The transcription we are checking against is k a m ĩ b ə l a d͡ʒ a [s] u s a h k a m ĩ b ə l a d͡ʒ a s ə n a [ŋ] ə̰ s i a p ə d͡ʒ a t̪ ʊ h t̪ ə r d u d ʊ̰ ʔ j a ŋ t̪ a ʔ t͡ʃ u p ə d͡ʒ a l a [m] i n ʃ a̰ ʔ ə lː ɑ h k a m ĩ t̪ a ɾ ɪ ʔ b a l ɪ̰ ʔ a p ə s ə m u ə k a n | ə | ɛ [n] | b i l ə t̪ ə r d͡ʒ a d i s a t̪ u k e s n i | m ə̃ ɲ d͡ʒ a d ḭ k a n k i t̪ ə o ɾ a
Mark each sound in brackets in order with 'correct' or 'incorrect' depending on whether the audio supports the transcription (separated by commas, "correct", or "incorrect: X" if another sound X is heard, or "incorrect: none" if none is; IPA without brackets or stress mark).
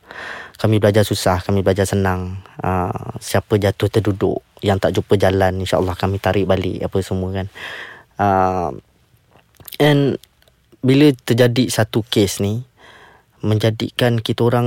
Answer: correct, correct, incorrect: n, correct